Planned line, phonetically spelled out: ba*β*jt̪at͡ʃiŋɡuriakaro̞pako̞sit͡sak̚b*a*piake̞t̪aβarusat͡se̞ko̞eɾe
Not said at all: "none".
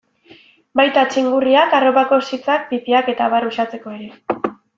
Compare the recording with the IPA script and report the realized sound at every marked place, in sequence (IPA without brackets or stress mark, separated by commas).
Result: none, i